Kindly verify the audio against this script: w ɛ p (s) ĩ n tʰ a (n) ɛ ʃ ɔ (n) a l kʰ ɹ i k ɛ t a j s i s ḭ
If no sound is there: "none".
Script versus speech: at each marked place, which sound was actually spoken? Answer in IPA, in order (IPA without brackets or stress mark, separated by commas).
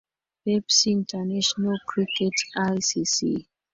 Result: s, n, n